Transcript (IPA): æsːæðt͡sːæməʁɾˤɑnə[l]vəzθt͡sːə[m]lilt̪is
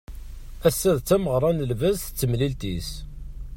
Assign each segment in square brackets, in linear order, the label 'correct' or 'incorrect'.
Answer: correct, correct

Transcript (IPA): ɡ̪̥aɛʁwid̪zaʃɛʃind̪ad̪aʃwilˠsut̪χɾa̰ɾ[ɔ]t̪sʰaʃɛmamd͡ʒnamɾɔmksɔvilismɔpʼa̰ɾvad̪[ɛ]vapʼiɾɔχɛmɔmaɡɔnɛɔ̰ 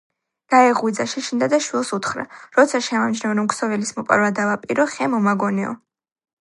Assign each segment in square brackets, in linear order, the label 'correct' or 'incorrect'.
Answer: correct, incorrect: a

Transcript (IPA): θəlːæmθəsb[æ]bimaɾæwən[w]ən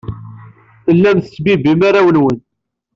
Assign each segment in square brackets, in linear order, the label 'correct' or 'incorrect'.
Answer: incorrect: i, correct

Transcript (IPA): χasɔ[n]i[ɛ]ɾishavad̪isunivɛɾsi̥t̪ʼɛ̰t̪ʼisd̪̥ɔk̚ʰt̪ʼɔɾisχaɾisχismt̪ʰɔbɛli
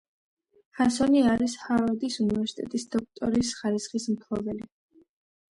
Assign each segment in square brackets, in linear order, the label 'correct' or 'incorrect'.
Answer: correct, incorrect: a

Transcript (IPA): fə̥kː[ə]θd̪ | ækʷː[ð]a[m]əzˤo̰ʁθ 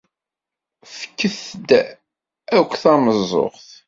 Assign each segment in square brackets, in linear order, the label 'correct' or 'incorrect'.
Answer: correct, incorrect: θ, correct

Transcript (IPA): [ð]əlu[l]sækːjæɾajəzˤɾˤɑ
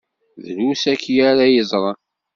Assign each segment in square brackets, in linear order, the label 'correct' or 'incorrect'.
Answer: correct, incorrect: none

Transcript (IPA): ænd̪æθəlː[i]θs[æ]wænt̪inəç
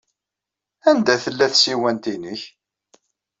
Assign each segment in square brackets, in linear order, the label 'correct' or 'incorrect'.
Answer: incorrect: æ, incorrect: i

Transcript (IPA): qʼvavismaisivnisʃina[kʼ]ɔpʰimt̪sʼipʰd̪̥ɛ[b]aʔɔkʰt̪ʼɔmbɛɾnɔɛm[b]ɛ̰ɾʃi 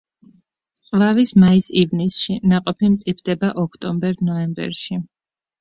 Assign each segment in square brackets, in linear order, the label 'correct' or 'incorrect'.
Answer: incorrect: qʼ, correct, correct

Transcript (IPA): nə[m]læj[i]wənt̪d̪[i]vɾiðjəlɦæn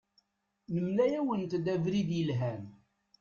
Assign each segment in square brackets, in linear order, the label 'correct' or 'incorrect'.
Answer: correct, incorrect: æ, incorrect: æ

